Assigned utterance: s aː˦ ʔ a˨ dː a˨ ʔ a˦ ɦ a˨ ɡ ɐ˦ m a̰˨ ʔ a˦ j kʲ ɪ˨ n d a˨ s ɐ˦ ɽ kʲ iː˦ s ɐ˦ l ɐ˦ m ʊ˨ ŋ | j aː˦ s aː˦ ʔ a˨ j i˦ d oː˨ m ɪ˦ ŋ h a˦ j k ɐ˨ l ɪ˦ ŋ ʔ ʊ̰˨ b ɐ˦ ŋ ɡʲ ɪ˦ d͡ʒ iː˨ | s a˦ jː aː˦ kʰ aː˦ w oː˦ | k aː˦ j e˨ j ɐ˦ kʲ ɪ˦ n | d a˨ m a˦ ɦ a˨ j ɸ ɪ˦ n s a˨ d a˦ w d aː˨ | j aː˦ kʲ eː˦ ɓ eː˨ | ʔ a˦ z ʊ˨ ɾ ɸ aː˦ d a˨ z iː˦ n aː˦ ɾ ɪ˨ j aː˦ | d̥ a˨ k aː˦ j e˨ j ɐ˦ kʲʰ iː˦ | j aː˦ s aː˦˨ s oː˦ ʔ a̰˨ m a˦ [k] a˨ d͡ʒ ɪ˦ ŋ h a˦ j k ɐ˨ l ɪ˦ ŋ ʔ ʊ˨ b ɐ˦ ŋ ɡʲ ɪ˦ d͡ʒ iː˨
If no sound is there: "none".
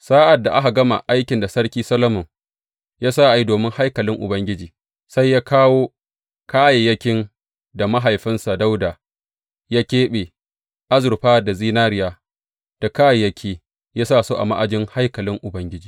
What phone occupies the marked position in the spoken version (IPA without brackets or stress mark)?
ʔ